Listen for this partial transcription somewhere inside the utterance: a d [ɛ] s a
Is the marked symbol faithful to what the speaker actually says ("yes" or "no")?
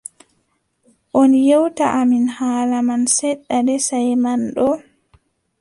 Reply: yes